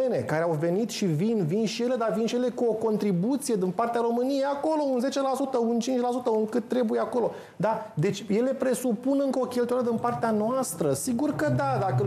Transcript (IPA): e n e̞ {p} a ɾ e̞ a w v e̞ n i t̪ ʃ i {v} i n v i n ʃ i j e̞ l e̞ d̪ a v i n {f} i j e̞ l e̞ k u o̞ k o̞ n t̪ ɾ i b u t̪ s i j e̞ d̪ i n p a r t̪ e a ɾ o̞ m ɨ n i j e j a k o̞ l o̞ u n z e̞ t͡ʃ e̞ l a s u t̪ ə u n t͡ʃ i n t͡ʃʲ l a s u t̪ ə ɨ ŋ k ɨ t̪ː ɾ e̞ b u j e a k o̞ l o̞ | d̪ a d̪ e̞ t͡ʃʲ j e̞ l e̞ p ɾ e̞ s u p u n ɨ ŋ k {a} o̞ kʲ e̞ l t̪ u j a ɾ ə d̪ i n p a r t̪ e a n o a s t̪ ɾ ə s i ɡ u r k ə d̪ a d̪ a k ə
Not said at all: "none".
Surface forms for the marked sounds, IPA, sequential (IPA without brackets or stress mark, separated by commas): k, v, ʃ, ə